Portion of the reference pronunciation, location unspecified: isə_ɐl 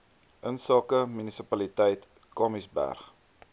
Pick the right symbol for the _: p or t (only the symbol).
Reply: p